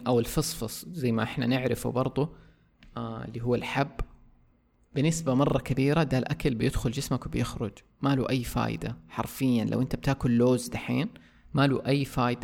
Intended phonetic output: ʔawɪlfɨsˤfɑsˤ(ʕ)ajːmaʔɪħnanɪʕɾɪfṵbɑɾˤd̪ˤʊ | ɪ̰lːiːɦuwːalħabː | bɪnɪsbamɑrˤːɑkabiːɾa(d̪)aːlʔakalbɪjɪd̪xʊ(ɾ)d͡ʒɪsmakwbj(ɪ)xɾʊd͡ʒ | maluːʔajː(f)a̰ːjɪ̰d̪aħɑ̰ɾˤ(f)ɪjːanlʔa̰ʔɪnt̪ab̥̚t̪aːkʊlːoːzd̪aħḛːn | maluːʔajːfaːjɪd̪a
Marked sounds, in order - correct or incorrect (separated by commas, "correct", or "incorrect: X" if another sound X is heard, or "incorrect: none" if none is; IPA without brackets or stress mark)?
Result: incorrect: z, correct, incorrect: l, correct, correct, correct